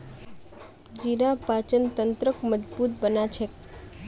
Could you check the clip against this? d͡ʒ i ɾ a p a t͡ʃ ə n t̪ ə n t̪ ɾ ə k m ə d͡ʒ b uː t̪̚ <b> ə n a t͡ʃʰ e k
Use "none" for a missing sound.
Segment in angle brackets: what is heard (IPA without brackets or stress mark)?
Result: b